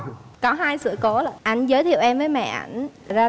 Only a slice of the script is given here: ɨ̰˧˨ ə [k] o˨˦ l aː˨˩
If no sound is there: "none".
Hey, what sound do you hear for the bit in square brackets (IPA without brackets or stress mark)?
k